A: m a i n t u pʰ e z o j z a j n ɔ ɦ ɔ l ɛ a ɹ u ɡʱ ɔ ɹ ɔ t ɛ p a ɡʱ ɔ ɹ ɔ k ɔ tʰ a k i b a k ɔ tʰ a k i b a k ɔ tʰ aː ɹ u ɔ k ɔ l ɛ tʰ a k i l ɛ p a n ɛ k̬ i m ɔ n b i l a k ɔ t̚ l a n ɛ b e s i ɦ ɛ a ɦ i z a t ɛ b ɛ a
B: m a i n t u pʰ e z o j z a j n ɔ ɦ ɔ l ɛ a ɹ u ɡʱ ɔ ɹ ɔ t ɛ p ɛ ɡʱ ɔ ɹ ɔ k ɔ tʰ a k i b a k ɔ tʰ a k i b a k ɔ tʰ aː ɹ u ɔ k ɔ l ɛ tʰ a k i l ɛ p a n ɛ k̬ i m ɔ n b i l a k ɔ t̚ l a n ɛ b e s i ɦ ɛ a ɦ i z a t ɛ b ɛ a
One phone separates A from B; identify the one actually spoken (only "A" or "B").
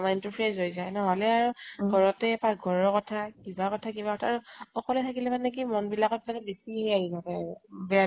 A